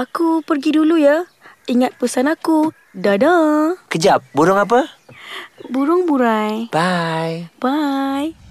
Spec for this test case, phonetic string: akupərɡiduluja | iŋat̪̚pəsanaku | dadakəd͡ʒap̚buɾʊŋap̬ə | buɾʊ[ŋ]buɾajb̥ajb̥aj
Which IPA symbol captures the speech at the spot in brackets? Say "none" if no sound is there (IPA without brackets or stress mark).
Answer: ŋ